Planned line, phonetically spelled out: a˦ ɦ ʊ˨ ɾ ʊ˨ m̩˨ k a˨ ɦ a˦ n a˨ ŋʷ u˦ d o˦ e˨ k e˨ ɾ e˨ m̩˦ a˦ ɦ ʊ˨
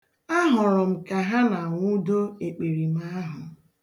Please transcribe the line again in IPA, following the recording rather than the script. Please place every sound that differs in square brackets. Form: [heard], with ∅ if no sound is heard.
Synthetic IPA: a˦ ɦ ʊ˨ ɾ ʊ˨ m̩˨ k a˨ ɦ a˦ n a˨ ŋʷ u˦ d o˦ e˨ [k͡p] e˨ ɾ [i˨] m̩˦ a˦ ɦ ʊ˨